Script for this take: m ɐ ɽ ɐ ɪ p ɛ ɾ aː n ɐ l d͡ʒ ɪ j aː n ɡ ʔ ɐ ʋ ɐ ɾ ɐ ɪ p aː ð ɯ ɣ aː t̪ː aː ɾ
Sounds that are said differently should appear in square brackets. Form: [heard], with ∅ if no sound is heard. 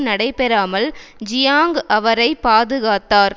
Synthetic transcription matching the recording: [n] ɐ ɽ ɐ ɪ p ɛ ɾ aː [m] ɐ l d͡ʒ ɪ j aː [ŋ] ɡ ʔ ɐ ʋ ɐ ɾ ɐ ɪ p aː ð ɯ ɣ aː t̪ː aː ɾ